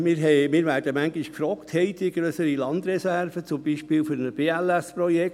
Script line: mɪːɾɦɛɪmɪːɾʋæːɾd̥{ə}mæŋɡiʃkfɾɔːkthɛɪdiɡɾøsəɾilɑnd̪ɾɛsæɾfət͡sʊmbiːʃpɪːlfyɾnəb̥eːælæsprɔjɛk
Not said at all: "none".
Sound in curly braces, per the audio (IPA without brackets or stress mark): ə